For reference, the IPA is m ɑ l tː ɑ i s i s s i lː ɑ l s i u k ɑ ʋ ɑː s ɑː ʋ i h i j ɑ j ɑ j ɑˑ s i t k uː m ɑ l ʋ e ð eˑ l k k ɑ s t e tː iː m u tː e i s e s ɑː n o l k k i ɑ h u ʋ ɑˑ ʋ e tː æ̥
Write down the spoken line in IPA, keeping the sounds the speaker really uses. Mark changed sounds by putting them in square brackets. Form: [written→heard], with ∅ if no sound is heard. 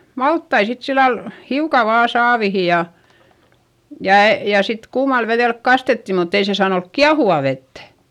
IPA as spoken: m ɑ l tː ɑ i s i [s→t] s i lː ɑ l [s→h] i u k ɑ ʋ ɑː s ɑː ʋ i h i j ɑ j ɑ j ɑˑ s i t k uː m ɑ l ʋ e ð eˑ l k k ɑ s t e tː [iː→i] m u tː e i s e s ɑː n o l k k i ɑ h u ʋ ɑˑ ʋ e tː æ̥